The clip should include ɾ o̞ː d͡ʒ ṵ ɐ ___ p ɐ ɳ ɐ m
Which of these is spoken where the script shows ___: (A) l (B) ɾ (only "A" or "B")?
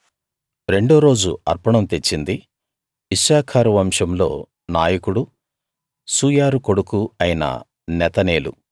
B